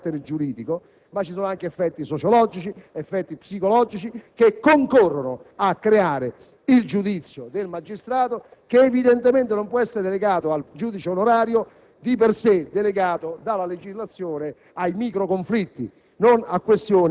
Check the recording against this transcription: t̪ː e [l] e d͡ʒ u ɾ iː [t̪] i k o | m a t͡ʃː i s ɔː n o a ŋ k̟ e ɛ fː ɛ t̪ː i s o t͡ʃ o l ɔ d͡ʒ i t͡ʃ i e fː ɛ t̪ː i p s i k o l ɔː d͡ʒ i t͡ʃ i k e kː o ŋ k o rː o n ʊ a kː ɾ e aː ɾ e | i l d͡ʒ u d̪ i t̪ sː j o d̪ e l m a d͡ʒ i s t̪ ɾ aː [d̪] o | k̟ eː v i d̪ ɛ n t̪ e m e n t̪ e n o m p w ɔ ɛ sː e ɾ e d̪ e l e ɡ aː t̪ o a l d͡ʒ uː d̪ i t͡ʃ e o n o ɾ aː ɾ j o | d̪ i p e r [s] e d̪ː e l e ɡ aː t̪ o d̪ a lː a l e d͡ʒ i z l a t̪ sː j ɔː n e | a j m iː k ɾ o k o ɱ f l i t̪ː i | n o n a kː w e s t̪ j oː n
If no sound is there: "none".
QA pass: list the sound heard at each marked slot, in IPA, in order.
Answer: ɾ, d̪, t̪, s

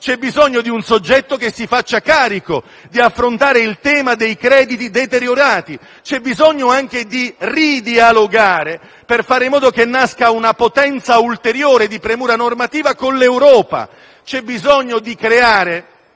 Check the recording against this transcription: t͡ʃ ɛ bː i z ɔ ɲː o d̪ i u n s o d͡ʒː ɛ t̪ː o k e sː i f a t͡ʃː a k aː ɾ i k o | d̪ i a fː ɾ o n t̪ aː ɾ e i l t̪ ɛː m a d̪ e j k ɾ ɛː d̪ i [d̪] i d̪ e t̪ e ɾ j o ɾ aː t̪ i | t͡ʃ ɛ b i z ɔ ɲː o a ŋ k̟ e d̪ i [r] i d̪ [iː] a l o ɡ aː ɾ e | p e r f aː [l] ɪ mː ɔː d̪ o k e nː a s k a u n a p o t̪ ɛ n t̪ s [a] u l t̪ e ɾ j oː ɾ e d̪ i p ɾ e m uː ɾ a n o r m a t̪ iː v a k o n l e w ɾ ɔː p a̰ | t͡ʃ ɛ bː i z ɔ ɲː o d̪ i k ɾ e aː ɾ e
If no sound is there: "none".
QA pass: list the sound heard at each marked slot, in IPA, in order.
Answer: t̪, r, i, ɾ, a

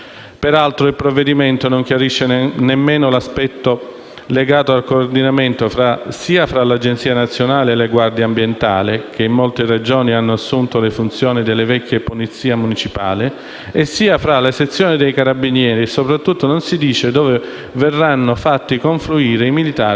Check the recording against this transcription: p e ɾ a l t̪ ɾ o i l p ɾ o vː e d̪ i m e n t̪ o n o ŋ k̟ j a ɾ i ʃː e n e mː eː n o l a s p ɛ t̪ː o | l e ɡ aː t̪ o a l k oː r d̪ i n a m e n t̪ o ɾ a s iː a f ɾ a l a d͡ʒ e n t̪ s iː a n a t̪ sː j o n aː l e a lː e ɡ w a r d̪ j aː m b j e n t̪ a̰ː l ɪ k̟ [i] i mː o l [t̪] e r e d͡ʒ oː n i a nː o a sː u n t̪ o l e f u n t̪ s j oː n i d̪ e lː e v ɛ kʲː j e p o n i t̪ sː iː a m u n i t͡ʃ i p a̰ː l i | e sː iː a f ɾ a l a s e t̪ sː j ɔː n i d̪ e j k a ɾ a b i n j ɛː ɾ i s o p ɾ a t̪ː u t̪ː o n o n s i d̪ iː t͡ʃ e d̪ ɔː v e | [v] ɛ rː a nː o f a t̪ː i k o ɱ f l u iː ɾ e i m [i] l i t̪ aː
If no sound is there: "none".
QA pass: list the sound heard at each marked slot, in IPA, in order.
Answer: e, t̪, v, i

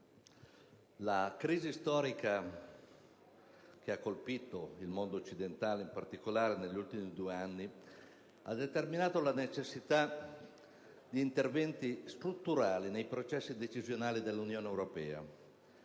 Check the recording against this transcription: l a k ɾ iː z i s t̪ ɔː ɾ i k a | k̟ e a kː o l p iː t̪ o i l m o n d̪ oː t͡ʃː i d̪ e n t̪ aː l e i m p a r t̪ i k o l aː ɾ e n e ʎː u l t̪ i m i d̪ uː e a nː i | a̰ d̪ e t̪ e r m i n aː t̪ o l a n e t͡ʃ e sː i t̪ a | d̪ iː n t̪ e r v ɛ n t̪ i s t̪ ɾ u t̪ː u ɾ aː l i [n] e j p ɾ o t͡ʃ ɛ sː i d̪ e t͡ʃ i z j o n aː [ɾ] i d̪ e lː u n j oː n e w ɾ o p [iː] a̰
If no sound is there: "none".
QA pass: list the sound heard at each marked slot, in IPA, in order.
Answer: n, l, ɛː

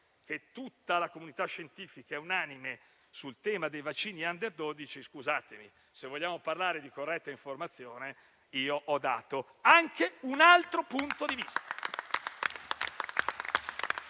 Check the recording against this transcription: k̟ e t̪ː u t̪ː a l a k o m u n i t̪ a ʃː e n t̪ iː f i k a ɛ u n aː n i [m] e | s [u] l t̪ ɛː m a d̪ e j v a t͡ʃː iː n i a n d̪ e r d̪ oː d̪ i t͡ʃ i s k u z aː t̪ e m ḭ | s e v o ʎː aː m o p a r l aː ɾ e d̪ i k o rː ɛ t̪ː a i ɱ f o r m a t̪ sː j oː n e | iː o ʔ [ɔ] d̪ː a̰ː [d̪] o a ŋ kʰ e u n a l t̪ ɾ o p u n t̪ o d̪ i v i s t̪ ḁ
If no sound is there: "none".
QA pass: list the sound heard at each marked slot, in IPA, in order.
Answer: m, u, ɔ, t̪

